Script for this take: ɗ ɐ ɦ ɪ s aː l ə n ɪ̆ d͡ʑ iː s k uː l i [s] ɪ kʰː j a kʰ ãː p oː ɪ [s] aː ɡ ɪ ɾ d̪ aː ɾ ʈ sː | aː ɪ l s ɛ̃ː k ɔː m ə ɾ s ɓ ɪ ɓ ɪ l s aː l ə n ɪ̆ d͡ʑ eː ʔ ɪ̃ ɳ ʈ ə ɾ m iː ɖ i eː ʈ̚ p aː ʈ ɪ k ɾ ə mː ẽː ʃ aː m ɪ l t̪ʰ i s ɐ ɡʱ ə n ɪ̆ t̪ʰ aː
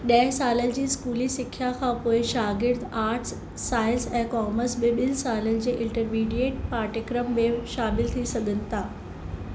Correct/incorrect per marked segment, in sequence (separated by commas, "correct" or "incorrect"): correct, incorrect